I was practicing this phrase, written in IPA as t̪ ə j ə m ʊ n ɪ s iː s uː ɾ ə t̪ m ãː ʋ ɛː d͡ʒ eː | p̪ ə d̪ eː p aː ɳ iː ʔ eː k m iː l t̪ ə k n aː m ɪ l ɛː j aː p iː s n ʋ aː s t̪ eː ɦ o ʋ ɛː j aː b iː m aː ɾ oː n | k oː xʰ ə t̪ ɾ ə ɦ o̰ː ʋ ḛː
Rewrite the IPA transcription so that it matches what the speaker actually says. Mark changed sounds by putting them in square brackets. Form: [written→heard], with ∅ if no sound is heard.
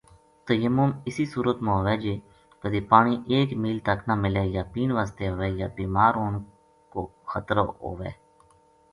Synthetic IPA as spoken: t̪ ə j ə m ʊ [n→m] ɪ s iː s uː ɾ ə t̪ m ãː ʋ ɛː d͡ʒ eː | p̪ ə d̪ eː p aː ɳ iː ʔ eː k m iː l t̪ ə k n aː m ɪ l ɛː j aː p iː [s→∅] n ʋ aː s t̪ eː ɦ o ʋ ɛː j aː b iː m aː ɾ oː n | k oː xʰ ə t̪ ɾ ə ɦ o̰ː ʋ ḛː